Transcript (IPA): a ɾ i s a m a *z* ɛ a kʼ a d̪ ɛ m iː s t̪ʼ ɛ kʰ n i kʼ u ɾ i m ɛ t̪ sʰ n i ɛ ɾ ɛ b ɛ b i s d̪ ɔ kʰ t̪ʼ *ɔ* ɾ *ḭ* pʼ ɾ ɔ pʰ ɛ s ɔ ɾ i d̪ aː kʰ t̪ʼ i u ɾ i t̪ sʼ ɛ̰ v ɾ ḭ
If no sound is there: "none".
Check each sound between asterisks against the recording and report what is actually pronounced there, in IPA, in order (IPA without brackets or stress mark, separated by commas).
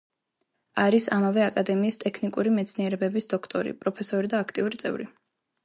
v, ɔ, ḭ